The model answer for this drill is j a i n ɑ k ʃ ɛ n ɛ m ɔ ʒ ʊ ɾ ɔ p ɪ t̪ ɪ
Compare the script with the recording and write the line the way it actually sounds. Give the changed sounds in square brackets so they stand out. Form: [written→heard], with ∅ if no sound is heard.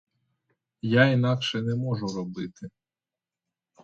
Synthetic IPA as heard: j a i n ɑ k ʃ ɛ n ɛ m ɔ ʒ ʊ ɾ ɔ [p→b] ɪ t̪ ɪ